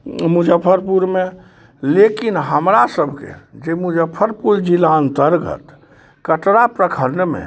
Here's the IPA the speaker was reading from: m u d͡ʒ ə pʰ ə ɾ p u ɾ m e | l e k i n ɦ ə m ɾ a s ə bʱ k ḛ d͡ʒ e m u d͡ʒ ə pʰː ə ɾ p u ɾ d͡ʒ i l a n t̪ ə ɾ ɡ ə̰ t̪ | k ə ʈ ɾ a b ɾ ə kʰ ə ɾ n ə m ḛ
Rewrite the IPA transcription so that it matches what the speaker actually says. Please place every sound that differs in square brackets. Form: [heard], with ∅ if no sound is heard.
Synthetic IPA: m u d͡ʒ ə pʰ ə ɾ p u ɾ m e | l e k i n ɦ ə m ɾ a s ə bʱ k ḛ d͡ʒ e m u d͡ʒ ə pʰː ə ɾ p u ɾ d͡ʒ i l a n t̪ ə ɾ ɡ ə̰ t̪ | k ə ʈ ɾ a [p] ɾ ə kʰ ə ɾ n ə m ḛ